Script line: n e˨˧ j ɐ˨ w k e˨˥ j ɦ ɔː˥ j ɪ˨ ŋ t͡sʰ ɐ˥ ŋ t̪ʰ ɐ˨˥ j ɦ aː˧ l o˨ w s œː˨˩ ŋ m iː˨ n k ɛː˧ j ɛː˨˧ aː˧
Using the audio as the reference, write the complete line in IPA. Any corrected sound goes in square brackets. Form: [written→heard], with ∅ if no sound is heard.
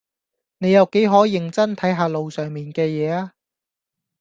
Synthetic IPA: n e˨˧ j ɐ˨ w k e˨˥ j ɦ [ɔː˥→ɔː˨˥] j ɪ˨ ŋ [t͡sʰ→t͡s] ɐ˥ [ŋ→n] t̪ʰ ɐ˨˥ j ɦ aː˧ l o˨ w s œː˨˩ ŋ m iː˨ n k ɛː˧ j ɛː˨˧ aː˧